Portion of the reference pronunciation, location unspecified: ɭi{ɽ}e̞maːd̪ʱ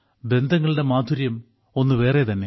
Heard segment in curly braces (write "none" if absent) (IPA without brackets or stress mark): ɽ